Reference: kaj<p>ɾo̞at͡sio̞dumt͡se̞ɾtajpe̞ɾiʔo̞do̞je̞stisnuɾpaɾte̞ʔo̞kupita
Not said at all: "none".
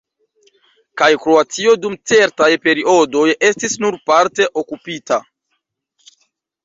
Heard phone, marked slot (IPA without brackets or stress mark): k